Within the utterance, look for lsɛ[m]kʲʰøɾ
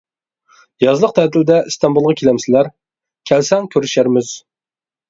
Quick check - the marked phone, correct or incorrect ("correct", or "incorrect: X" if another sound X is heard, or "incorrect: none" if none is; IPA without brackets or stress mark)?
incorrect: ŋ